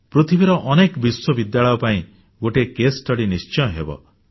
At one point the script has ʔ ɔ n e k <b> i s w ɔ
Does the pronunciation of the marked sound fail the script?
no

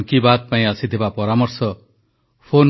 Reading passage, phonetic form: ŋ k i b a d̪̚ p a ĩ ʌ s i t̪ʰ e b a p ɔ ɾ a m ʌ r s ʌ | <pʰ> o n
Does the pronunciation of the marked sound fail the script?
no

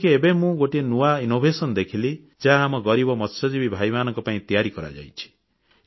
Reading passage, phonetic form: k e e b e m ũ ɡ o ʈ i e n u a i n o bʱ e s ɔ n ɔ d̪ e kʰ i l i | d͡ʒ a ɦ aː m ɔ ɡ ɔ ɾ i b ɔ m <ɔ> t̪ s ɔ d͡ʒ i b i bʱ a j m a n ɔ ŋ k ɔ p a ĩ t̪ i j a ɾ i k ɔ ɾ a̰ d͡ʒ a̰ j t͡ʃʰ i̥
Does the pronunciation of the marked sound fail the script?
no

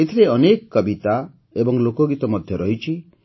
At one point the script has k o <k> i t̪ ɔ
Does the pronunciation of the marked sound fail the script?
yes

